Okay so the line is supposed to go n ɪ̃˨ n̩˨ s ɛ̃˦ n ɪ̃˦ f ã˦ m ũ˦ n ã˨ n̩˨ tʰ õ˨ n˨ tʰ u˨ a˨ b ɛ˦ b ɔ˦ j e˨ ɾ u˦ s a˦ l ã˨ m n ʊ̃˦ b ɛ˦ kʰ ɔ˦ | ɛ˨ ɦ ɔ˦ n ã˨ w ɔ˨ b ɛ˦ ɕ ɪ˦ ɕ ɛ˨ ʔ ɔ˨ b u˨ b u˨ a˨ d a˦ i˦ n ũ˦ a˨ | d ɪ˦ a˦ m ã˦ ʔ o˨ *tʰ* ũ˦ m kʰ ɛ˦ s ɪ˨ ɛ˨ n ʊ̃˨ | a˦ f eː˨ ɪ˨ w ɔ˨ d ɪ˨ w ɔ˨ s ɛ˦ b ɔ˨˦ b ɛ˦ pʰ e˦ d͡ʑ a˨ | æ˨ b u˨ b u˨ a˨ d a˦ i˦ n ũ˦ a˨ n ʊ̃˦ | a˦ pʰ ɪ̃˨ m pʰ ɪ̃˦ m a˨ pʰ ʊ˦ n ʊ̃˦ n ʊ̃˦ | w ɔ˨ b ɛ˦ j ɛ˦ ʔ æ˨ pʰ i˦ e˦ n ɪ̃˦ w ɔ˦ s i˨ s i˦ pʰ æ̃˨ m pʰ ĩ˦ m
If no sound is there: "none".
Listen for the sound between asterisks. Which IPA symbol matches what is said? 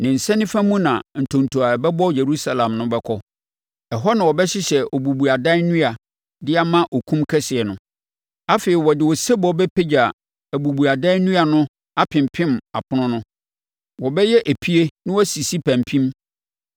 kʰ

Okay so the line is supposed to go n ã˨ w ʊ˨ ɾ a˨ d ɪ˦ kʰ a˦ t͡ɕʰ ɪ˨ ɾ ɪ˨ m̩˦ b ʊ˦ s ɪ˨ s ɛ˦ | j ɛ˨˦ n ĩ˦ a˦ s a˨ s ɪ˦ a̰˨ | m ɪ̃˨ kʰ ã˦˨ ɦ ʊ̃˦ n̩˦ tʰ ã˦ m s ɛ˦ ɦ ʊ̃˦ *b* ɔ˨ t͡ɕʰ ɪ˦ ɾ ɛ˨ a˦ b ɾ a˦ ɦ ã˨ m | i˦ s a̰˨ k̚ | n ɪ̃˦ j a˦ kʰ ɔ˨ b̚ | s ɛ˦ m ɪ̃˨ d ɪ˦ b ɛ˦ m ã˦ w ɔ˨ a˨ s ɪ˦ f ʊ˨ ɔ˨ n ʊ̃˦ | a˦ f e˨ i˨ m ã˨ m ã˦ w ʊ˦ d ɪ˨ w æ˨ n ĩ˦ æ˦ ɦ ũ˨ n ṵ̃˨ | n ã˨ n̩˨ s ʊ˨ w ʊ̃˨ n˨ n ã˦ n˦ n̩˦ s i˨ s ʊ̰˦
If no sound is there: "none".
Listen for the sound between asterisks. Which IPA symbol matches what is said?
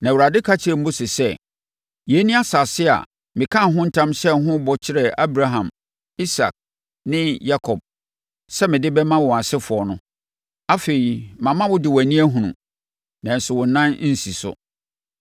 b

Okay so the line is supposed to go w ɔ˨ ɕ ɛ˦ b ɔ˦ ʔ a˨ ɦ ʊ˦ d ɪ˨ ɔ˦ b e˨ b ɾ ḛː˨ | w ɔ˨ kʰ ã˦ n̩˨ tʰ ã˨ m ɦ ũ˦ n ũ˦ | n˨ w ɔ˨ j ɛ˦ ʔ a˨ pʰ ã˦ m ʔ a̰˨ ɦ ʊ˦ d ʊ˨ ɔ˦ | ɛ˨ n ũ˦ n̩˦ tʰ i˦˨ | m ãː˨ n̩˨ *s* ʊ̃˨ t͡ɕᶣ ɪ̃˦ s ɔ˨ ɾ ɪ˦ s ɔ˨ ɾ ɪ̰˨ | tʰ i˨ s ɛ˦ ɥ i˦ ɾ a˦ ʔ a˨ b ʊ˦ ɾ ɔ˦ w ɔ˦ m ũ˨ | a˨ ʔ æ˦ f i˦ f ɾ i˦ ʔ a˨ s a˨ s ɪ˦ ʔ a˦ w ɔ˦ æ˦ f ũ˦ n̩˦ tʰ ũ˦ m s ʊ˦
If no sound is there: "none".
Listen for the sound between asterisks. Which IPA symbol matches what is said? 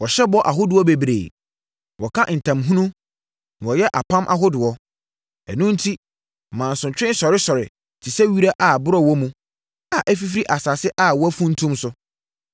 s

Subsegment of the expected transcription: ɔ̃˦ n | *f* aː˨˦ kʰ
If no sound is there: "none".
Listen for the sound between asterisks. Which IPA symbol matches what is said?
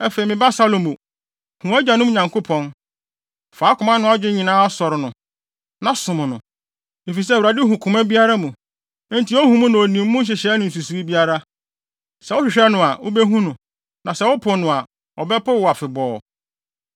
f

